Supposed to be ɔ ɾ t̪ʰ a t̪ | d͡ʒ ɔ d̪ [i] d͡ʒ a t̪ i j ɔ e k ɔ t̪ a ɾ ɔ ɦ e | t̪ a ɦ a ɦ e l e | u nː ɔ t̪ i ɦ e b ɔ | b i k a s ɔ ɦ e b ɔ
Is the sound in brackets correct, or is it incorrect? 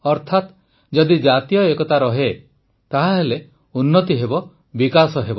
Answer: correct